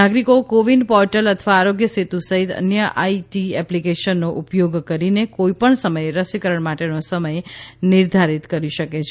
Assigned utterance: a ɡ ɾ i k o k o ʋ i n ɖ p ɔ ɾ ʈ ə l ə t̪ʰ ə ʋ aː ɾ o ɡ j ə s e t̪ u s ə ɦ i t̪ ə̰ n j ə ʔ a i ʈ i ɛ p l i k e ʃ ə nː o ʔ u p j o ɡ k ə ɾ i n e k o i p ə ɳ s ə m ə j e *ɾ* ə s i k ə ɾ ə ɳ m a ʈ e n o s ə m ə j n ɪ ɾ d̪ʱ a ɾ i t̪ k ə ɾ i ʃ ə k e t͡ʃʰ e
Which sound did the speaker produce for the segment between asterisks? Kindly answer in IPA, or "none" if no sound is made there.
ɾ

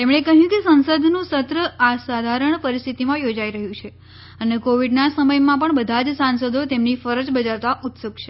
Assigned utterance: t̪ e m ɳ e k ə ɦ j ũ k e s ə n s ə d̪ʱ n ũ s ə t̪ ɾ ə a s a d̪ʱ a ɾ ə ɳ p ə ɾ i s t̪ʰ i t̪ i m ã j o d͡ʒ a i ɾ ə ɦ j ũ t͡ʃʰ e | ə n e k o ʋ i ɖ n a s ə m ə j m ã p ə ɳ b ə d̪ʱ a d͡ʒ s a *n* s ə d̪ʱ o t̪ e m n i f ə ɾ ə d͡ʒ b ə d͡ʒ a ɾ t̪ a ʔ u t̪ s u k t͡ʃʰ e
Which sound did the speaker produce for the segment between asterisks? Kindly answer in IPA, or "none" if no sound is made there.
n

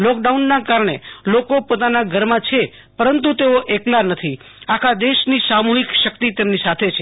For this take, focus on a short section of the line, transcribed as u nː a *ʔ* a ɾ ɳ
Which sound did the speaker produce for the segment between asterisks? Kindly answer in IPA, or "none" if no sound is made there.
k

